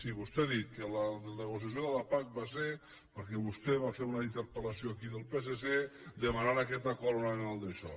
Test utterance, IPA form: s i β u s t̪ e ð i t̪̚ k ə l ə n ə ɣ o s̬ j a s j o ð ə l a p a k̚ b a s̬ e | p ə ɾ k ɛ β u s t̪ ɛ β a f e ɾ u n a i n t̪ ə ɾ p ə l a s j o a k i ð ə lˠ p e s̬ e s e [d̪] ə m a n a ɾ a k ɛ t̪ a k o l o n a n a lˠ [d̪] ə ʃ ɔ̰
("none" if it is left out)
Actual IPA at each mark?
d̪, d̪

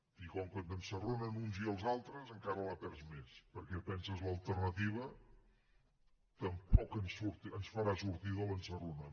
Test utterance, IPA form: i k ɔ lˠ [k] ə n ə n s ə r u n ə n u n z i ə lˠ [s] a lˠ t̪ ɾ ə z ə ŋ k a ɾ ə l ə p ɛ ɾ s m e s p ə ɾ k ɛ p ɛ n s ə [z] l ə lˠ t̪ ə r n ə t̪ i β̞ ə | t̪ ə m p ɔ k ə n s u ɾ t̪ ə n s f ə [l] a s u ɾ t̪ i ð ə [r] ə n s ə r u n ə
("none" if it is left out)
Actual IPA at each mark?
k, z, z, ɾ, l

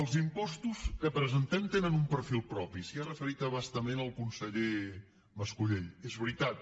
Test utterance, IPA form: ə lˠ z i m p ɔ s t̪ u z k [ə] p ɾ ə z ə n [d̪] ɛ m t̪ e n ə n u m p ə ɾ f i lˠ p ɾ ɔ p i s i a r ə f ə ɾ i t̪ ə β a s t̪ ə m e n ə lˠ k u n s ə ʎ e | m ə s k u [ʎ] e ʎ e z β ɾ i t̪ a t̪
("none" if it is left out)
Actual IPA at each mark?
ə, t̪, ʎ

